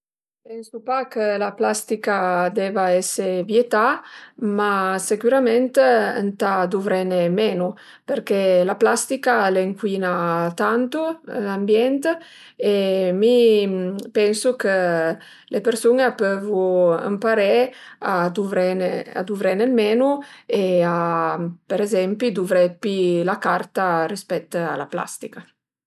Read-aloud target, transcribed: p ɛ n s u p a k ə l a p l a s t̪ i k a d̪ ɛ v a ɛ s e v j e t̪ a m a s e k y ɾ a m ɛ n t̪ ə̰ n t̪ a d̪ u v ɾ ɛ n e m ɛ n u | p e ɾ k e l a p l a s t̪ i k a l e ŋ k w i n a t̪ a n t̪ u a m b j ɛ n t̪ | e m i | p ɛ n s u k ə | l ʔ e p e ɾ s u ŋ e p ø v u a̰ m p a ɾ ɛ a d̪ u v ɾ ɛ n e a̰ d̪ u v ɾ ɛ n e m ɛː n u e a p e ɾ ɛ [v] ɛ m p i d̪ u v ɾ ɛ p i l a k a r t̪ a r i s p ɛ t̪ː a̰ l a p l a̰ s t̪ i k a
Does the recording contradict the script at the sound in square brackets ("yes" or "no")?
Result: yes